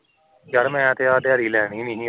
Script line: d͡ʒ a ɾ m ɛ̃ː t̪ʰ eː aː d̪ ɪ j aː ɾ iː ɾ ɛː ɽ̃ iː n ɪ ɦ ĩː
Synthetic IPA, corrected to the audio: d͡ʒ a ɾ m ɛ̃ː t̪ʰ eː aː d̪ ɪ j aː ɾ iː l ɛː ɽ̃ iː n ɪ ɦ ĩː